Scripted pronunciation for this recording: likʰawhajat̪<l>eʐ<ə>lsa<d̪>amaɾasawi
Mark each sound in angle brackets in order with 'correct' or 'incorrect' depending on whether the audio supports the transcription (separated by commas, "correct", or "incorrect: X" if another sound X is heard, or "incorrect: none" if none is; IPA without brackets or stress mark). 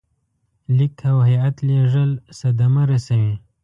correct, correct, correct